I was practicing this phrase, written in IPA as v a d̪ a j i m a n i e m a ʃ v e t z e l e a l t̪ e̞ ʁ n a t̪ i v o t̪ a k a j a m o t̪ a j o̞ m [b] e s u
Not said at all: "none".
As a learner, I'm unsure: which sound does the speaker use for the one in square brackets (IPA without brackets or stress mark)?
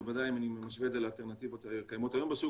b